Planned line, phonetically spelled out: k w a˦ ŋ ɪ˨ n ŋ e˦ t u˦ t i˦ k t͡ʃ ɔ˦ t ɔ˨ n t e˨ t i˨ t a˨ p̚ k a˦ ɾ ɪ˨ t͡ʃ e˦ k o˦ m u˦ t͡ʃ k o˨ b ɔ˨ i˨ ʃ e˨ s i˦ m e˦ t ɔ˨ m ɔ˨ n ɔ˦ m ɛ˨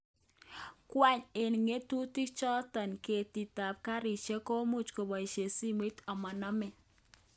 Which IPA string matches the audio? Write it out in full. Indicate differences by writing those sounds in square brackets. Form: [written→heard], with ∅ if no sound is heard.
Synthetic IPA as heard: k w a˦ [ŋ→ɲ] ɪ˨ n ŋ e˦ t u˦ t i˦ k t͡ʃ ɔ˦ t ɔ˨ n [t→k] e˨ t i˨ t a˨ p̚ k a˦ ɾ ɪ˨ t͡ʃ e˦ k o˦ m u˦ t͡ʃ k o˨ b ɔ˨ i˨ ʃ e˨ s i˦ m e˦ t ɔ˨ m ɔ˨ n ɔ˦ m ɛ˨